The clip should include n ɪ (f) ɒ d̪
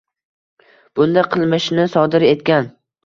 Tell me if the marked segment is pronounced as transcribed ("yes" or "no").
no